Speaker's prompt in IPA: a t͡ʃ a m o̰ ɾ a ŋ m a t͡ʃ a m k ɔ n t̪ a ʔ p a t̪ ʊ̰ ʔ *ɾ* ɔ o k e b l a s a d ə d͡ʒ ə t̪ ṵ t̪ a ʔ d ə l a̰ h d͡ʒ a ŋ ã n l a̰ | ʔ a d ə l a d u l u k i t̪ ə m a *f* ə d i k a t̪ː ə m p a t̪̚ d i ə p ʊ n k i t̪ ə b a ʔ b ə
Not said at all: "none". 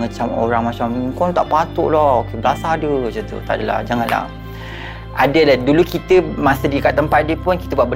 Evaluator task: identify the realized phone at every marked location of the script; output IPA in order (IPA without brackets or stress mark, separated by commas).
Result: l, s